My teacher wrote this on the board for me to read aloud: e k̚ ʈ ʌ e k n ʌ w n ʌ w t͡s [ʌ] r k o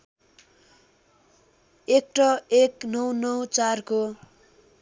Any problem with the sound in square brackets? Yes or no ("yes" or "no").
yes